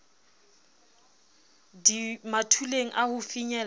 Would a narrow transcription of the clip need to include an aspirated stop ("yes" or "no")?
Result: yes